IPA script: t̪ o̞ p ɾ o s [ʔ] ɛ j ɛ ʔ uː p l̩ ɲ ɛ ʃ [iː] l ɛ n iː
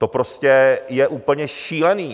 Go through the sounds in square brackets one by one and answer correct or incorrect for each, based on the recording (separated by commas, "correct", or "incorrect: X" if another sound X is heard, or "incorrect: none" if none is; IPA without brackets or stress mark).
incorrect: c, correct